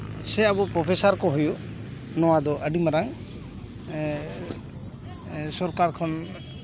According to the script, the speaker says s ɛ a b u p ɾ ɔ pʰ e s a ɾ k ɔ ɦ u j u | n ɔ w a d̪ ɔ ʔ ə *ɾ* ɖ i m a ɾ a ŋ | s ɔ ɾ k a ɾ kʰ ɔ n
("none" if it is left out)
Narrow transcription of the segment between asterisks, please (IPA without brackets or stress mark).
none